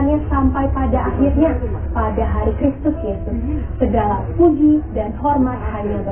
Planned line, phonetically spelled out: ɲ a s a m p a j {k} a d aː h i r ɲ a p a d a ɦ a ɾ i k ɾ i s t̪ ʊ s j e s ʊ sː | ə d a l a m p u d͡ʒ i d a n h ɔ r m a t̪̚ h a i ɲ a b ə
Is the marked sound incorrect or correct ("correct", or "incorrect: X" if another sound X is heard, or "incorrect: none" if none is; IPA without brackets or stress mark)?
incorrect: p